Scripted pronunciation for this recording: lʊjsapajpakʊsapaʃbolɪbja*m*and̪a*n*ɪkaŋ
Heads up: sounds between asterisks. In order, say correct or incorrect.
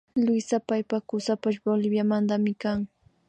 correct, incorrect: m

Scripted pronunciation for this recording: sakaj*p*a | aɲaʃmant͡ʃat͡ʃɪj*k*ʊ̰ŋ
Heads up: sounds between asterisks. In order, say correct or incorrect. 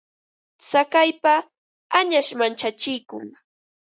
correct, correct

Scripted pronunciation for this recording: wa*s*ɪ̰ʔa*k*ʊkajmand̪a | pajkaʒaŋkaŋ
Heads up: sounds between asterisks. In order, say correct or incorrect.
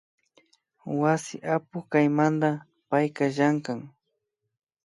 correct, incorrect: p

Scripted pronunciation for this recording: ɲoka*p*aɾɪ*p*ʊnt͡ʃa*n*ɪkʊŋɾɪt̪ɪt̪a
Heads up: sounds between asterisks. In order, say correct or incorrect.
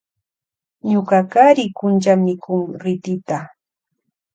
incorrect: k, incorrect: k, incorrect: m

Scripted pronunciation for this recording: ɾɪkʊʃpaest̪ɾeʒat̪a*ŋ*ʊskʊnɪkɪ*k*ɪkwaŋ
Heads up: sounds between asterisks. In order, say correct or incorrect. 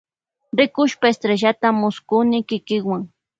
incorrect: m, correct

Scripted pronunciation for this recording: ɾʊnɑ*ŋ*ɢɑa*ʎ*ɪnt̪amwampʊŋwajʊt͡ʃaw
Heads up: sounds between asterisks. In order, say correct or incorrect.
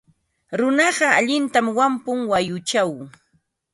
incorrect: none, correct

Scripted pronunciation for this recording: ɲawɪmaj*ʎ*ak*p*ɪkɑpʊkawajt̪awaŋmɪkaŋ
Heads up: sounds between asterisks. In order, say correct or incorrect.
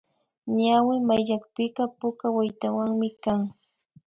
correct, correct

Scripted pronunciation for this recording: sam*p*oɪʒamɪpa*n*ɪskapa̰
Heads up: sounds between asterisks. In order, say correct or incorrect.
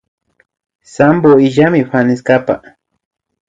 incorrect: b, correct

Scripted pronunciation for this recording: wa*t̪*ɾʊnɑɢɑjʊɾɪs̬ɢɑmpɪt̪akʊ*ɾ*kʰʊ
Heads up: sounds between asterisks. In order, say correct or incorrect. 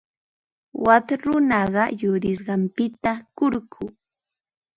correct, correct

